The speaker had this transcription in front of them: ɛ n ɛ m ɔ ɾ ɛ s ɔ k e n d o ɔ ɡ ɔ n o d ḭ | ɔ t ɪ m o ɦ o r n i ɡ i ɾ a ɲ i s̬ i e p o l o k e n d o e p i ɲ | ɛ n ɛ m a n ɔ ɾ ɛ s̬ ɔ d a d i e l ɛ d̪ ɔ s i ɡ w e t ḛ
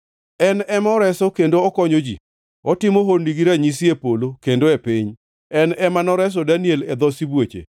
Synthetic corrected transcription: ɛ n ɛ m ɔ ɾ ɛ s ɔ k e n d o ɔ k ɔ ɲ o d͡ʒ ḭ | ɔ t ɪ m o ɦ o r n i ɡ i ɾ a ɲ i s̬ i e p o l o k e n d o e p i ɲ | ɛ n ɛ m a n ɔ ɾ ɛ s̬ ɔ d a n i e l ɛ d̪ ɔ s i b w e t͡ʃ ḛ